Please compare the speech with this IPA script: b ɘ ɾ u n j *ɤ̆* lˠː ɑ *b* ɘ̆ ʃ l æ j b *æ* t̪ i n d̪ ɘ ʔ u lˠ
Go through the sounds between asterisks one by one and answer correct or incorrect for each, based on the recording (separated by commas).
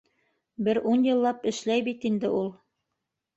correct, incorrect, incorrect